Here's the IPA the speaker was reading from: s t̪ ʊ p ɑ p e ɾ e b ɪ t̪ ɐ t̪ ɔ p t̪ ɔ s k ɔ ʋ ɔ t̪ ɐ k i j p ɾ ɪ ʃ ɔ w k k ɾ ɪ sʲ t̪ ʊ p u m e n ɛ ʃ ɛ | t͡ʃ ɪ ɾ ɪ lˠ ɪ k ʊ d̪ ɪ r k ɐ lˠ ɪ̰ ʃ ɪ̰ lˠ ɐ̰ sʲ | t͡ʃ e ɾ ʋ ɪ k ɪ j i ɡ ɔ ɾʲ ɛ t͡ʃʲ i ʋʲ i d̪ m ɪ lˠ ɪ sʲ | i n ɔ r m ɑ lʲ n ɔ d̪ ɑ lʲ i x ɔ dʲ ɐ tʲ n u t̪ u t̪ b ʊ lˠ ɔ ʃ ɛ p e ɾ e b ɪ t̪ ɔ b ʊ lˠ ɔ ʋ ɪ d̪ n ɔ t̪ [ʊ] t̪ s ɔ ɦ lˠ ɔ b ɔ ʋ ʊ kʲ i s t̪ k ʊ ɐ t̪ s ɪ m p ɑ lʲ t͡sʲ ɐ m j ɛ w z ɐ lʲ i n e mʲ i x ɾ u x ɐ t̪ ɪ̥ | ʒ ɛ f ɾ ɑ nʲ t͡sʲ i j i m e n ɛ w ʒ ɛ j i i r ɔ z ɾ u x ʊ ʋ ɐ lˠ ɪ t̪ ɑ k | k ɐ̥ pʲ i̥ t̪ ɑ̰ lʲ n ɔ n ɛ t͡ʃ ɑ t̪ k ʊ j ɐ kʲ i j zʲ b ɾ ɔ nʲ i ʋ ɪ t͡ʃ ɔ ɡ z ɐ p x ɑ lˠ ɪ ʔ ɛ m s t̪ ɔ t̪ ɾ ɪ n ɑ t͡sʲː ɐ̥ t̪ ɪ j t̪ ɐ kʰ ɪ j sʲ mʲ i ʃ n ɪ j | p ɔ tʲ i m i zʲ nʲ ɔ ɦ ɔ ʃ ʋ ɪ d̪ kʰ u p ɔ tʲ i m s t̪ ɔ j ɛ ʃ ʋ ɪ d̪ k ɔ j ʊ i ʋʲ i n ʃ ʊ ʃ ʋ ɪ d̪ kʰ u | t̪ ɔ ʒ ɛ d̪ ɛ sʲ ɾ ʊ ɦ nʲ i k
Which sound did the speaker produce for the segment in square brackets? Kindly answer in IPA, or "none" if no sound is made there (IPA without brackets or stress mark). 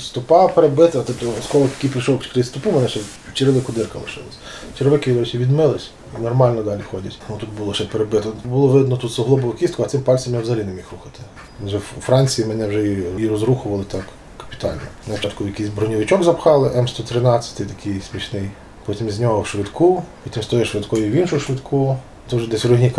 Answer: u